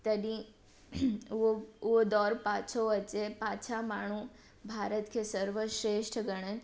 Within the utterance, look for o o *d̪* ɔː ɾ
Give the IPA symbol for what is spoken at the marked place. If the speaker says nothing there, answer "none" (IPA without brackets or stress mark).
d̪